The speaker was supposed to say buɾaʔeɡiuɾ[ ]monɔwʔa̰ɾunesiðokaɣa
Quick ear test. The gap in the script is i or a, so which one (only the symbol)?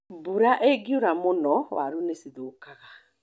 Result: a